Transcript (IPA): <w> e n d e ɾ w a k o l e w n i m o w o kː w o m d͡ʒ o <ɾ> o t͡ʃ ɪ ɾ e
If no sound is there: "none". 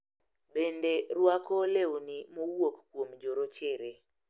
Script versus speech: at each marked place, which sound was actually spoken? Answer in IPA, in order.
b, ɾ

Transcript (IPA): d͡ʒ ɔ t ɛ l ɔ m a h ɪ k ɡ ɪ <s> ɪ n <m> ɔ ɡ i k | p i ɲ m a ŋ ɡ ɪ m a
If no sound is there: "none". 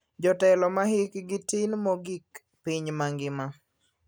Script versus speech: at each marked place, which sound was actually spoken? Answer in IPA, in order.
t, m

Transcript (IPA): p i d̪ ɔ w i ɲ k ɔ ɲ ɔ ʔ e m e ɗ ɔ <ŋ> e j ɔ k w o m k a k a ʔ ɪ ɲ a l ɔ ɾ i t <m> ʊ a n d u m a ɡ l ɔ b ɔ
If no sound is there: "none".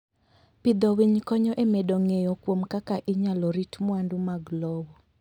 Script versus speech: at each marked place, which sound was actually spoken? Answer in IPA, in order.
ŋ, m

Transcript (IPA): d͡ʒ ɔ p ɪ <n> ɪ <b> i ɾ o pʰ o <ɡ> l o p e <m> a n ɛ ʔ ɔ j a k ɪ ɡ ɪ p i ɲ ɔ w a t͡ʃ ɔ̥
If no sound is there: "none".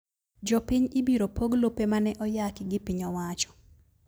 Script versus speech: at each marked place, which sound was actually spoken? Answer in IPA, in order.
ɲ, b, ɡ, m

